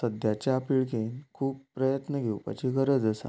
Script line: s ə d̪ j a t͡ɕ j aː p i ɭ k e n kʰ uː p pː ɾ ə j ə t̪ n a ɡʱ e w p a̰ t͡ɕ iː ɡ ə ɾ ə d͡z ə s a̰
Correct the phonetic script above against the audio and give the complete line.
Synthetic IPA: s ə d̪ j a t͡ɕ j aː p i ɭ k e n kʰ uː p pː ɾ ə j ə t̪ n ə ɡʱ e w p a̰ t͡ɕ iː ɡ ə ɾ ə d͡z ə s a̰